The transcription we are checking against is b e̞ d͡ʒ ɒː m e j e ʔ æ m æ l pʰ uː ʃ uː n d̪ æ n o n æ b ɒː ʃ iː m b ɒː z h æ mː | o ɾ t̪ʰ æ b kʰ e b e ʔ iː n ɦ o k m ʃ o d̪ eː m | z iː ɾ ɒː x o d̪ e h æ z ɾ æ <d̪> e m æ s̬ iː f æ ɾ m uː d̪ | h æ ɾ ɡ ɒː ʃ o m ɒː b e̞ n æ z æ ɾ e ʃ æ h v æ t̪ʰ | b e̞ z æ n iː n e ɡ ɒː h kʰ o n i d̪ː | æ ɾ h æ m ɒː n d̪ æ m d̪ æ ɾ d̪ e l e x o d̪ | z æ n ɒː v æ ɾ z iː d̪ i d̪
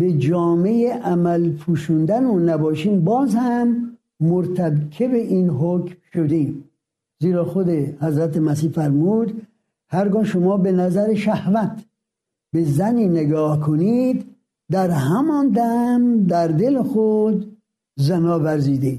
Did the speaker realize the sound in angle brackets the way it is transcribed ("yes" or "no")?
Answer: no